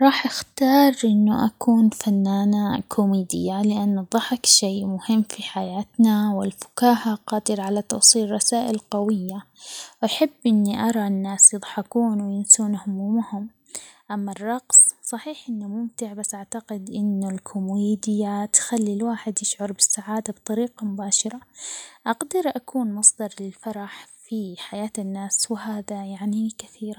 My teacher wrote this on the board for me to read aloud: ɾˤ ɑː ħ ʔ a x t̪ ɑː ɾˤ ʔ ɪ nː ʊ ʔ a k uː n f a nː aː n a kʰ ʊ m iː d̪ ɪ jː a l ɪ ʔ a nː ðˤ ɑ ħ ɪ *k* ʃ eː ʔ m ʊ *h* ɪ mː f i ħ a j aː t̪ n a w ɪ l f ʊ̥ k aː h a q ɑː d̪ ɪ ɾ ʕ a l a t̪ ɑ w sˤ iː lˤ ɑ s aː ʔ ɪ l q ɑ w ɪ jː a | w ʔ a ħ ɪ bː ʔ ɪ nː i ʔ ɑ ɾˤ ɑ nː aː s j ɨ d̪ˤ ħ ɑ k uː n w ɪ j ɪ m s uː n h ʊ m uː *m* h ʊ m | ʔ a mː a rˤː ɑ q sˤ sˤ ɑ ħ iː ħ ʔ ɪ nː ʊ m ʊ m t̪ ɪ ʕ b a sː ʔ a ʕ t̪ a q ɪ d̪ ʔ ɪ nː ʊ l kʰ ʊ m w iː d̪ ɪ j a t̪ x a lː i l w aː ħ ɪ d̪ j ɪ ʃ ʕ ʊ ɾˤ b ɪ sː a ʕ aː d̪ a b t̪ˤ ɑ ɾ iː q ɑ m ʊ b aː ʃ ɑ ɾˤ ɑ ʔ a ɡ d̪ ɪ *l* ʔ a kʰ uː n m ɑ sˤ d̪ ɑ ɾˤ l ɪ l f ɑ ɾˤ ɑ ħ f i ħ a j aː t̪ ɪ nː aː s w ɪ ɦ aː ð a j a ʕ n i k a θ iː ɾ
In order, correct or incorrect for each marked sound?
correct, correct, correct, incorrect

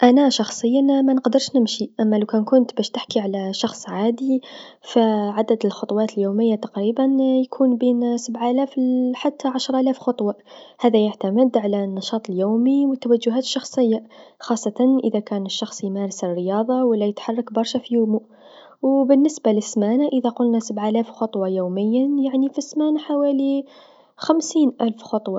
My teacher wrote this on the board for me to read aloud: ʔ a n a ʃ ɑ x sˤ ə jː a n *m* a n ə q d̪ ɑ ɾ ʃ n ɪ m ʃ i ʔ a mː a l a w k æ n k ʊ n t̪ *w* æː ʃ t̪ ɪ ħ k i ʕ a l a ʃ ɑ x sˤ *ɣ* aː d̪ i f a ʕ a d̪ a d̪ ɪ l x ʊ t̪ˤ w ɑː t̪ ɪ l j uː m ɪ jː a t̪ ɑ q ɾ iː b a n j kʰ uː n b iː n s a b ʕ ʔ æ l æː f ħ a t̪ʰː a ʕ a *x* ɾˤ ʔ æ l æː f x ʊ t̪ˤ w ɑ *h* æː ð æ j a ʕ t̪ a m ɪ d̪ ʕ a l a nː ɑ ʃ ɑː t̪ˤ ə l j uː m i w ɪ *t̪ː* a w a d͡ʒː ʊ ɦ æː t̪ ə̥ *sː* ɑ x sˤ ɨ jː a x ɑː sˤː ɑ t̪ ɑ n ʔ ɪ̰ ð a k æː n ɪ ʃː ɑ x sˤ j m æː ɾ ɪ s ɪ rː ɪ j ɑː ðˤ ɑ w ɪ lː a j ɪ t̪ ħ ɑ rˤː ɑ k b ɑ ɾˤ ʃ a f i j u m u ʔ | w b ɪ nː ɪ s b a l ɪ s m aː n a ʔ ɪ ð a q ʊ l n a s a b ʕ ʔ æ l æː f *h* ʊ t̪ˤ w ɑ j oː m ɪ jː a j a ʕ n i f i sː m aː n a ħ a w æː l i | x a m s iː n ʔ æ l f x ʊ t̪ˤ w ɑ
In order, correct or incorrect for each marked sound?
correct, incorrect, incorrect, incorrect, correct, correct, incorrect, incorrect

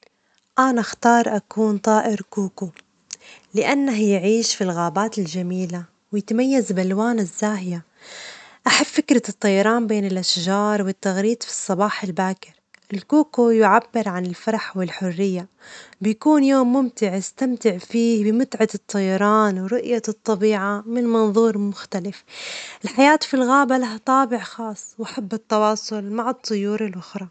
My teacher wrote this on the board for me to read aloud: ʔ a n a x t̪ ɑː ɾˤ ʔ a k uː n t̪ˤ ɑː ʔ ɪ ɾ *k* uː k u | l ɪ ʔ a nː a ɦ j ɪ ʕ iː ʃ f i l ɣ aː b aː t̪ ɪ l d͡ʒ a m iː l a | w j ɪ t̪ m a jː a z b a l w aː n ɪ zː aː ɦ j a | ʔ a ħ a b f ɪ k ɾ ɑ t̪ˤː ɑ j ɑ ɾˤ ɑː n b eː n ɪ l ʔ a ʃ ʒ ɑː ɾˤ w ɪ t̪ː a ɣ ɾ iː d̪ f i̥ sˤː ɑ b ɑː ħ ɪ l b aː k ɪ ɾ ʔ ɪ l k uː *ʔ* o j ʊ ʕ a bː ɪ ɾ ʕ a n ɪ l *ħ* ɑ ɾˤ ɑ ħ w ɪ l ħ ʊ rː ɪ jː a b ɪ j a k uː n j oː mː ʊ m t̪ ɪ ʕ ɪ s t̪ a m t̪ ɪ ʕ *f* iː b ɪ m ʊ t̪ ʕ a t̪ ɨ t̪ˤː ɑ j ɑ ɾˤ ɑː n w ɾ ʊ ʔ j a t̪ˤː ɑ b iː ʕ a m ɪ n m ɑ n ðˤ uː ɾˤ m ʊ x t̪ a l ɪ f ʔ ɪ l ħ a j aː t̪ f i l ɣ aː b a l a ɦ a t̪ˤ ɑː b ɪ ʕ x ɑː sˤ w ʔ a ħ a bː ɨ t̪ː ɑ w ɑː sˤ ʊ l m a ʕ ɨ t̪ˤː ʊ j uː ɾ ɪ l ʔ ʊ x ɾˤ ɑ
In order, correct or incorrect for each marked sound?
correct, incorrect, incorrect, correct

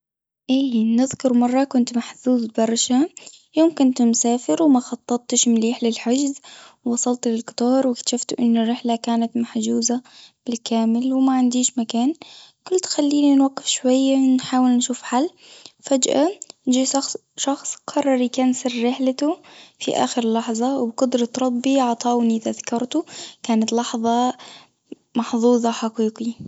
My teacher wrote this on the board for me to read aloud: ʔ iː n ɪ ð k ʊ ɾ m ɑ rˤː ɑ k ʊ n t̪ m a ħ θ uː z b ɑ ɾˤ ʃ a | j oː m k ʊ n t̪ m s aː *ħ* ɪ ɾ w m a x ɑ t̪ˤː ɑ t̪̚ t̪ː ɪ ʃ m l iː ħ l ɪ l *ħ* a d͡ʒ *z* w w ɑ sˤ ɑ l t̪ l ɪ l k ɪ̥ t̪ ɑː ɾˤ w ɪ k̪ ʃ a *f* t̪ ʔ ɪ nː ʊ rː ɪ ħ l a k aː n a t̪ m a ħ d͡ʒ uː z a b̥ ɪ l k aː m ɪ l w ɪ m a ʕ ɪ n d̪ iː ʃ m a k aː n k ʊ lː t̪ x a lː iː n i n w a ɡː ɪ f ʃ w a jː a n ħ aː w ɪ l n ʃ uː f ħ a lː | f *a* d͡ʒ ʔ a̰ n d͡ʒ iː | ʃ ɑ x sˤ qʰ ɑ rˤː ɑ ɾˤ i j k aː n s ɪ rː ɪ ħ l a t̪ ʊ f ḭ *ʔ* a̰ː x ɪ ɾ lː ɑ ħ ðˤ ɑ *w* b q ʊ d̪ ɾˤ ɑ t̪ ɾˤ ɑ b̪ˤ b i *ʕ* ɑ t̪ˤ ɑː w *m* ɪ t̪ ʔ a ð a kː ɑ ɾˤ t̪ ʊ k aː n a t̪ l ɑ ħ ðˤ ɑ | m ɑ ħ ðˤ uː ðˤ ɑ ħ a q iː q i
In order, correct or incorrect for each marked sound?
incorrect, correct, correct, correct, correct, correct, correct, correct, incorrect

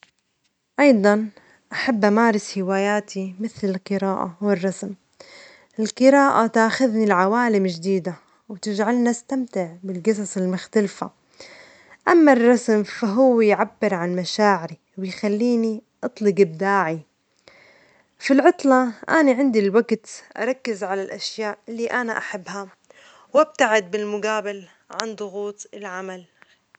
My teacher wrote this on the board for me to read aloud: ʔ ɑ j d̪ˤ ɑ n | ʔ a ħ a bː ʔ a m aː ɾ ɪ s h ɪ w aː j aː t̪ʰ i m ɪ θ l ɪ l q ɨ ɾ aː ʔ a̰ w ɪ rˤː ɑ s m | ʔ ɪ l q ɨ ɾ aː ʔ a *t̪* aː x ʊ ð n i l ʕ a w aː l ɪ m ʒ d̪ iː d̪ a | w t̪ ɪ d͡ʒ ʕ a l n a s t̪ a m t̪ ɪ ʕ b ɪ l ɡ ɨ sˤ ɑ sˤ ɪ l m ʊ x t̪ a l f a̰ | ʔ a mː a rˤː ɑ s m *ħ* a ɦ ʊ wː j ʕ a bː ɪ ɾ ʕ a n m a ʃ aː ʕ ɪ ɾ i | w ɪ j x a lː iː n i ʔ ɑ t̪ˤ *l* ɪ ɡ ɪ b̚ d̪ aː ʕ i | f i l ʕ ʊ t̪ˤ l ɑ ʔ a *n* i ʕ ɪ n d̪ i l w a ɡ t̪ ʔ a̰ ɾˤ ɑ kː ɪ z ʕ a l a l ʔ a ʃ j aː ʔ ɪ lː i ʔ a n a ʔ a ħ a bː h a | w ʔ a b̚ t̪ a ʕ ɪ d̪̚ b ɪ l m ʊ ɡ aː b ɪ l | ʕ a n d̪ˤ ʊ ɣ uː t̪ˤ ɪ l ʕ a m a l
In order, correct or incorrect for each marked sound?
correct, incorrect, correct, correct

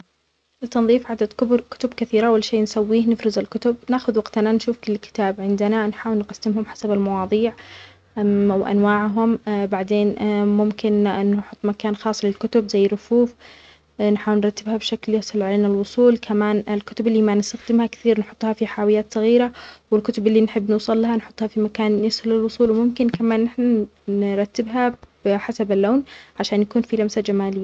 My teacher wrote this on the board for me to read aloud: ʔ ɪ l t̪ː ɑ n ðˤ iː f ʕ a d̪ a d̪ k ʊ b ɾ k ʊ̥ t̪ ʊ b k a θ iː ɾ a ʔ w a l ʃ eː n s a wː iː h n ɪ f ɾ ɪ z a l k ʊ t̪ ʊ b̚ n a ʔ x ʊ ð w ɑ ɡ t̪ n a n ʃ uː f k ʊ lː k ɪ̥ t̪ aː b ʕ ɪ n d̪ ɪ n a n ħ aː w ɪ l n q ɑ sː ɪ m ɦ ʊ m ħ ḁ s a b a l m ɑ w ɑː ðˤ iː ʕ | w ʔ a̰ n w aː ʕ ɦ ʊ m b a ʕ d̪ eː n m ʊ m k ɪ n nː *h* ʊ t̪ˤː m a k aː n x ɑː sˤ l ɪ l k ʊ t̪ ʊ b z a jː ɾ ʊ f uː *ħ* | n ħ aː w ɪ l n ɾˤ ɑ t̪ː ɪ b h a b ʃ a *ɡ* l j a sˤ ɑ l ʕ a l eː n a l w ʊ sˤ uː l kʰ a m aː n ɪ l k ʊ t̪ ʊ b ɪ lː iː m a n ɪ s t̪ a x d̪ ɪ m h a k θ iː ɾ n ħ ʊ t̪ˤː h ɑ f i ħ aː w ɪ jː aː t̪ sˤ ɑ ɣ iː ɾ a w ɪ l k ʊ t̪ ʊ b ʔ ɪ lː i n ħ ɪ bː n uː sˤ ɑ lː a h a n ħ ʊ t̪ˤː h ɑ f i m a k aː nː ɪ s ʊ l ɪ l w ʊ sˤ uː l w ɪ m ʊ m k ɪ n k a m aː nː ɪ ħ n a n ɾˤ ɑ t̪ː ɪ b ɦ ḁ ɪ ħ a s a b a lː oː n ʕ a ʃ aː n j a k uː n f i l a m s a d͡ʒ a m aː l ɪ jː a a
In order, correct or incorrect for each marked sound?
incorrect, incorrect, incorrect

